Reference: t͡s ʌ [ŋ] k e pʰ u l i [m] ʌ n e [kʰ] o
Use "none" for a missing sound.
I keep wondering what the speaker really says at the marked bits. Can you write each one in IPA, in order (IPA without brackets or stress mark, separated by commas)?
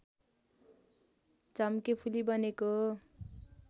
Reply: m, b, k